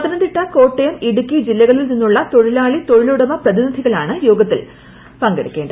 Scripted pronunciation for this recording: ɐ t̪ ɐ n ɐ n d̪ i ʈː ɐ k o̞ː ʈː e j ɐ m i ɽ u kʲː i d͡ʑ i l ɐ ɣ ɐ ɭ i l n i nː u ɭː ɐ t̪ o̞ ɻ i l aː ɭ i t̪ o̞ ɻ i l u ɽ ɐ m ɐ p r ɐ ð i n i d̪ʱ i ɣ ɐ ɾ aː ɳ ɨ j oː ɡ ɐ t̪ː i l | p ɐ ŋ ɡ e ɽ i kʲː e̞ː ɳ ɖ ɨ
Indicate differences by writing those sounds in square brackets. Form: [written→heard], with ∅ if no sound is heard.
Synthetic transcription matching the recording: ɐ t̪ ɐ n ɐ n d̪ i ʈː ɐ k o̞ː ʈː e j ɐ m i ɽ u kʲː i d͡ʑ i [l→lː] ɐ ɣ ɐ ɭ i l n i nː u ɭː ɐ t̪ o̞ ɻ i l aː ɭ i t̪ o̞ ɻ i l u ɽ ɐ m ɐ p r ɐ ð i n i d̪ʱ i ɣ ɐ [ɾ→ɭ] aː ɳ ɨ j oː ɡ ɐ t̪ː i l | p ɐ ŋ ɡ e ɽ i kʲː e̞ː ɳ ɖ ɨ